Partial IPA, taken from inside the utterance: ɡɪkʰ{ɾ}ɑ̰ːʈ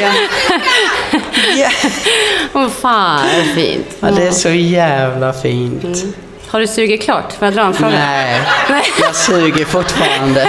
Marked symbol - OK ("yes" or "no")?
no